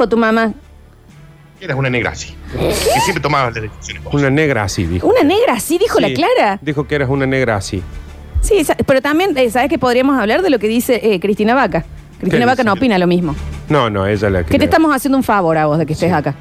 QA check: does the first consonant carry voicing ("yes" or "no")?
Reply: no